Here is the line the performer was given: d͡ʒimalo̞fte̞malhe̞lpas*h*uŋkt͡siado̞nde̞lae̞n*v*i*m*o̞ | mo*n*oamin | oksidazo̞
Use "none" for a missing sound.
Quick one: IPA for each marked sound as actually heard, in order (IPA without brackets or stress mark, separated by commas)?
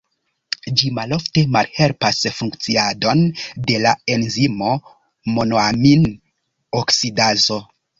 f, z, m, n